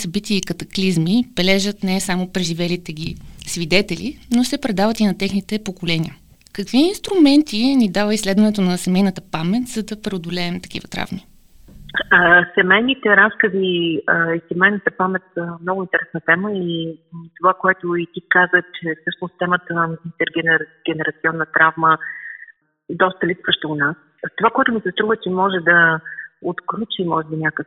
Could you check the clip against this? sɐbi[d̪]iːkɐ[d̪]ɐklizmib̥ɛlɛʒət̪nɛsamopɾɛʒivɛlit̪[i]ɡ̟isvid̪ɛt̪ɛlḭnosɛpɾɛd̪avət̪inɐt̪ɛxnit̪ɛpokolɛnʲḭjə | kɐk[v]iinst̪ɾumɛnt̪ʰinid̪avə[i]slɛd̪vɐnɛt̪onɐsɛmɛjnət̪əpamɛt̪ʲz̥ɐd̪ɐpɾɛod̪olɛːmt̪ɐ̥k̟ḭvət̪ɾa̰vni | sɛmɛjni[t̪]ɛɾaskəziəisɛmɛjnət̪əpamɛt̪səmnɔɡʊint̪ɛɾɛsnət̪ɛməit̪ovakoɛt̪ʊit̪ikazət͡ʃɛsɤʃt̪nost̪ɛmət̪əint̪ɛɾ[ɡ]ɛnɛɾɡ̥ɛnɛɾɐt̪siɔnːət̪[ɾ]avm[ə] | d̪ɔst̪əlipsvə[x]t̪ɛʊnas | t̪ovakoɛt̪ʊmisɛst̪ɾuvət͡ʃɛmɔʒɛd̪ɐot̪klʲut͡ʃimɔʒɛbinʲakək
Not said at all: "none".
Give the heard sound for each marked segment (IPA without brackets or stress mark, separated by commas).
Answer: t̪, t̪, ɛ, v, i, t̪, ɡ, ɾ, ə, ʃ